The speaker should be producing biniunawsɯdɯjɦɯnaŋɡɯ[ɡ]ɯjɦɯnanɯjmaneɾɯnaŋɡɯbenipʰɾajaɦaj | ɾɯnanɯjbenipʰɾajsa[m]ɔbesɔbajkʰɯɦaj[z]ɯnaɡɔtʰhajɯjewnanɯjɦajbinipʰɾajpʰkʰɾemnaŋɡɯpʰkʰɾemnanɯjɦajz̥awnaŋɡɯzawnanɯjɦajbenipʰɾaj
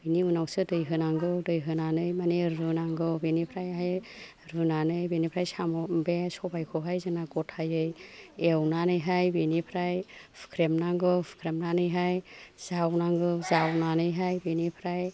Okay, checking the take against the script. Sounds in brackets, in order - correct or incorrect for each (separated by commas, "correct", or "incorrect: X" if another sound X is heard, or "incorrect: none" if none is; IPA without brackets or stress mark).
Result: incorrect: d, correct, correct